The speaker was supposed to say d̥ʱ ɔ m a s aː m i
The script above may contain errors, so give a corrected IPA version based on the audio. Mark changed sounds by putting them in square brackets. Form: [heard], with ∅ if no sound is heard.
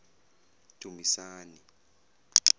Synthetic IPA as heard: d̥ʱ [u] m [i] s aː [n] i